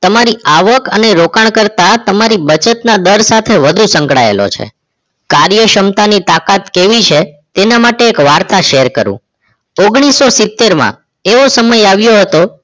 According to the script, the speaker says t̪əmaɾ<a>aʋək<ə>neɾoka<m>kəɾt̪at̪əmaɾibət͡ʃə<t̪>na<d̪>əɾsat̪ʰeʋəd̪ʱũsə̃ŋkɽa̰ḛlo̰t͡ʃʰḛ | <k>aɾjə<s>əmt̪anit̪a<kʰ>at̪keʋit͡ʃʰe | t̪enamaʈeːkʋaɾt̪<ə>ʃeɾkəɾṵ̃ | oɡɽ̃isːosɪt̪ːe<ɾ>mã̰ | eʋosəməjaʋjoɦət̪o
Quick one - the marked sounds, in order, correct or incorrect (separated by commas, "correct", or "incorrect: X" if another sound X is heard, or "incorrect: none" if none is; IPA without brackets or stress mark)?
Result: incorrect: i, correct, incorrect: ɳ, correct, correct, correct, incorrect: ʃ, incorrect: k, incorrect: a, correct